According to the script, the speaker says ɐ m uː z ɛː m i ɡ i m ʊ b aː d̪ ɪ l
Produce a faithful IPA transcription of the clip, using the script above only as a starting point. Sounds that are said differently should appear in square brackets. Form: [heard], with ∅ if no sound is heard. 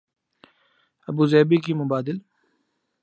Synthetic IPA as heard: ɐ [b] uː z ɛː [b] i [k] i m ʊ b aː d̪ ɪ l